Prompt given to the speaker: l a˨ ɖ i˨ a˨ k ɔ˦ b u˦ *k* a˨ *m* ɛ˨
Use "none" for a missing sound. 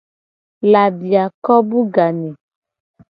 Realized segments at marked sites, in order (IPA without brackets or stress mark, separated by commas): ɡ, n